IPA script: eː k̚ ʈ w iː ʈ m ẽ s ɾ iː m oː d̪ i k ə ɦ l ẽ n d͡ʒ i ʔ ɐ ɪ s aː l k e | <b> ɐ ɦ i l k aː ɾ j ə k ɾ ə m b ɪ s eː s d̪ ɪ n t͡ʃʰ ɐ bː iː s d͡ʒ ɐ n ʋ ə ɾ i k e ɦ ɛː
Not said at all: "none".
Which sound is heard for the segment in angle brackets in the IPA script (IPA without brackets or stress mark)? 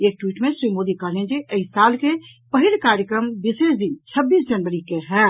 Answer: p